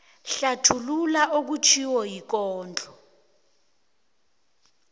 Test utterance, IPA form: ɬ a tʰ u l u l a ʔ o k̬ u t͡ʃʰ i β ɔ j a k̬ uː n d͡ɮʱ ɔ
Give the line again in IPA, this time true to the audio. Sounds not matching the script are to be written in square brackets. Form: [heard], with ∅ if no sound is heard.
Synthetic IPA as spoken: ɬ a tʰ u l u l a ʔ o k̬ u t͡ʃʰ i [w] ɔ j [i] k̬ [ɔː] n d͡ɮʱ ɔ